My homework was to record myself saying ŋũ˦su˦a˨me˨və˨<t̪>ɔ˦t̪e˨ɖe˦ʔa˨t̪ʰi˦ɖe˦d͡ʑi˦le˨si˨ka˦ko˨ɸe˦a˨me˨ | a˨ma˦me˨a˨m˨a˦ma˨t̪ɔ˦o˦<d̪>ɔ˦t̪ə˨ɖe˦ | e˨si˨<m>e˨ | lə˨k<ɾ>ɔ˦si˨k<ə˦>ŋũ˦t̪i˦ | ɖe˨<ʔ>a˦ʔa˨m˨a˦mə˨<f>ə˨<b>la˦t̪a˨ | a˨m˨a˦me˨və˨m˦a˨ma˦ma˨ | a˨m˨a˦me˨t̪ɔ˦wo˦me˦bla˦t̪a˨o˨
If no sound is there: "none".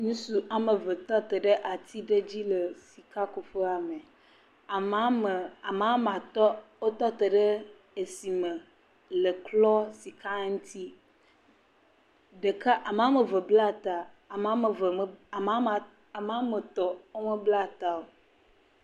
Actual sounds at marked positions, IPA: t̪, t̪, m, l, a˦, k, v, b

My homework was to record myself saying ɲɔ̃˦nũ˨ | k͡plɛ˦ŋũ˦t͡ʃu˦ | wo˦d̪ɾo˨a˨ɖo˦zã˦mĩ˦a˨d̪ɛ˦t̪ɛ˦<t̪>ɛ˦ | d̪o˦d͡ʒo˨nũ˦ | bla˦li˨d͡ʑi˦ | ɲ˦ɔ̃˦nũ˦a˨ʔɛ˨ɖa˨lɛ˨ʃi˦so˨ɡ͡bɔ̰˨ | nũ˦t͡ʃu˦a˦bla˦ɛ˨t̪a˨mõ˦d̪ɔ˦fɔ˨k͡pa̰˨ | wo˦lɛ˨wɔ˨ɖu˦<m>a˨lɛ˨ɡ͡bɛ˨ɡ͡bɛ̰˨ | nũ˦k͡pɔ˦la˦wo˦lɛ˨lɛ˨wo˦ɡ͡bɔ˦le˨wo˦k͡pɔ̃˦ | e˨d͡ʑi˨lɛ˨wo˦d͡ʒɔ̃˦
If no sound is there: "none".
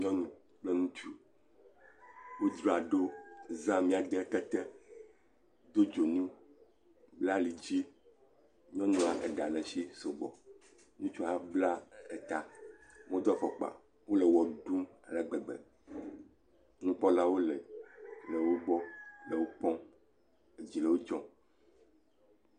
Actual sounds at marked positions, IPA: t̪, m

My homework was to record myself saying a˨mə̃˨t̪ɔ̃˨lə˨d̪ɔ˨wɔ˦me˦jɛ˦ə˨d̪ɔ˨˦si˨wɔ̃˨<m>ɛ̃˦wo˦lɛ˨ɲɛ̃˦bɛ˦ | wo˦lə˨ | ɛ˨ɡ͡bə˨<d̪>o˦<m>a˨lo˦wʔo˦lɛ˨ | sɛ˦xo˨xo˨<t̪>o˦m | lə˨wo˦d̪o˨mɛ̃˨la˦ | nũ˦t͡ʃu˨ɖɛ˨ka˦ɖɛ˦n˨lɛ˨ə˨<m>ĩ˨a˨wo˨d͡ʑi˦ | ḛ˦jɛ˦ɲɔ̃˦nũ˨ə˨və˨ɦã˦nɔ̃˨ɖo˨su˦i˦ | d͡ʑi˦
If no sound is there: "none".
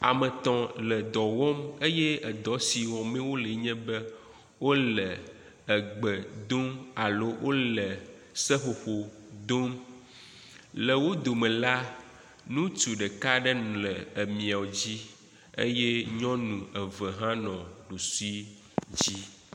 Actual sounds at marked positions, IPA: m, d̪, m, d̪, m

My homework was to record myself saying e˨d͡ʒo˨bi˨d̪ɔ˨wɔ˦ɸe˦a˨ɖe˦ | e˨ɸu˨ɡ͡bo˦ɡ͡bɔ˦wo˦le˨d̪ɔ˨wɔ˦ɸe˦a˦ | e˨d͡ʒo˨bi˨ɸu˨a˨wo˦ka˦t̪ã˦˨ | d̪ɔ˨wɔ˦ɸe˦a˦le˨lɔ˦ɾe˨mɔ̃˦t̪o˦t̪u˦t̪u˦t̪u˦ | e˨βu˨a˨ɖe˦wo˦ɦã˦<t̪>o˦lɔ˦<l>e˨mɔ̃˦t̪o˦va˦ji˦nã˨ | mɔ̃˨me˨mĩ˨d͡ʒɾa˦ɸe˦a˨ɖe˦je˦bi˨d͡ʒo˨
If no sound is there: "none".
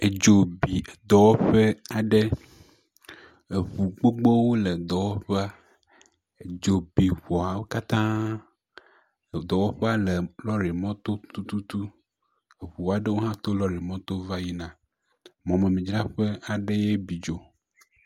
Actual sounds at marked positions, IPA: t̪, ɾ

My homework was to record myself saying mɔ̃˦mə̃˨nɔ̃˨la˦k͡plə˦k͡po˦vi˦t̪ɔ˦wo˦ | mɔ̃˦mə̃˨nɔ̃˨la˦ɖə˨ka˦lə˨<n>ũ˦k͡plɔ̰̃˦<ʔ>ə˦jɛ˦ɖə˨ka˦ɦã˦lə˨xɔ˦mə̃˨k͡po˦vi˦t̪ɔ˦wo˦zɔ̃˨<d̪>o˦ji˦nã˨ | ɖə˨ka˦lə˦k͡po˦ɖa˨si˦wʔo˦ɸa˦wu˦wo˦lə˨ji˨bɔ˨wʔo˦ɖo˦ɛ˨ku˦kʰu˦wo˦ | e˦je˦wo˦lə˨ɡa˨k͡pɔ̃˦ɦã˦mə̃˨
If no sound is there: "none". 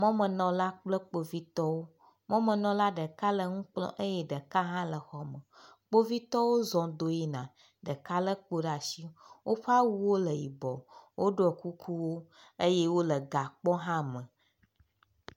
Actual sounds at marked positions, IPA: ŋ, ʔ, d̪

